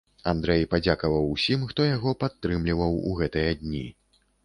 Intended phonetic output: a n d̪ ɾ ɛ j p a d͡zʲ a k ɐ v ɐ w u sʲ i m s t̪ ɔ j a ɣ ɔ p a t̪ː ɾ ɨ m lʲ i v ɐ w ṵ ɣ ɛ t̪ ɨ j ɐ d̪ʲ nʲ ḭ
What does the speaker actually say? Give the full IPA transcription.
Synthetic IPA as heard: a n d̪ ɾ ɛ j p a d͡zʲ a k ɐ v ɐ w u sʲ i m x t̪ ɔ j a ɣ ɔ p a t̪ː ɾ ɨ m lʲ i v ɐ w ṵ ɣ ɛ t̪ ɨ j ɐ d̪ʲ nʲ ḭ